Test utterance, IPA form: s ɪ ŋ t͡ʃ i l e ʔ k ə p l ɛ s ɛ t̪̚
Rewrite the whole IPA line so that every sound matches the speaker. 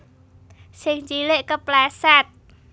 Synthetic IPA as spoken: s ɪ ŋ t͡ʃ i l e ʔ k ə p l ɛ s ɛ t̪̚